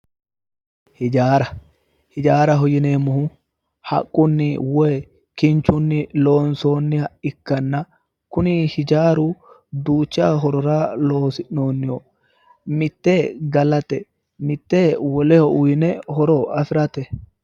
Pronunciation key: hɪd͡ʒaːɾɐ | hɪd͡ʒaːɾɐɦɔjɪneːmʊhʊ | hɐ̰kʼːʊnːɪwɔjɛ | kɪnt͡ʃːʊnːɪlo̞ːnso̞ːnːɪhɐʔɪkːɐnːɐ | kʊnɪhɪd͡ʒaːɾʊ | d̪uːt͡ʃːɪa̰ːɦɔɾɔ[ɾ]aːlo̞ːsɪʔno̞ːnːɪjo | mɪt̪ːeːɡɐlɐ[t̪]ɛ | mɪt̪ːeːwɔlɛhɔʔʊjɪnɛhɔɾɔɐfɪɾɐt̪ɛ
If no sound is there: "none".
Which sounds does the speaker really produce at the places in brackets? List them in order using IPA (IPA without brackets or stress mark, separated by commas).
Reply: ɾ, t̪